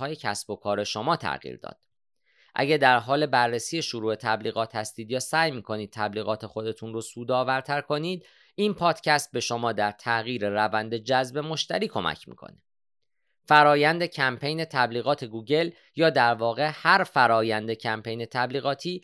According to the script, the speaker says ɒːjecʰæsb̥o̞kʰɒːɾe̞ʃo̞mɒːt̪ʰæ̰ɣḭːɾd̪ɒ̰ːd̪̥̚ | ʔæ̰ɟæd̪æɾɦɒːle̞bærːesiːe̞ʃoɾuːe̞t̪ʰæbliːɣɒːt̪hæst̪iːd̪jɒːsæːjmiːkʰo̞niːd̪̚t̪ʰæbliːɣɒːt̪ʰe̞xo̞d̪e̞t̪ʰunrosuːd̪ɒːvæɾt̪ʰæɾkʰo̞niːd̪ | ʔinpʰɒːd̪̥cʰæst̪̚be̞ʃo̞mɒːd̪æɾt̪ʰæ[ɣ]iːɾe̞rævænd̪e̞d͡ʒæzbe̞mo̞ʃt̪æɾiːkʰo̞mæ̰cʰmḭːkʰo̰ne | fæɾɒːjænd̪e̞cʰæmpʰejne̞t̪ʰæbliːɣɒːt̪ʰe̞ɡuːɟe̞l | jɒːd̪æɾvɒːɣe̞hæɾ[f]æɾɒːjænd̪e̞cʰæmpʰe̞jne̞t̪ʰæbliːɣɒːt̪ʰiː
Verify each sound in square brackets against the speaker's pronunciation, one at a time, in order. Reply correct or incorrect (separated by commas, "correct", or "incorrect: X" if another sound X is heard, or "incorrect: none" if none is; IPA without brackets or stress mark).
correct, correct